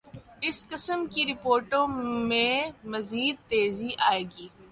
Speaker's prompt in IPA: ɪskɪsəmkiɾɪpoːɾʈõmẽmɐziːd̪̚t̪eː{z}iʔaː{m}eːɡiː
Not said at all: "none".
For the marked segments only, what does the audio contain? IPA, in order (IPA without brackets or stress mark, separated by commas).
z, none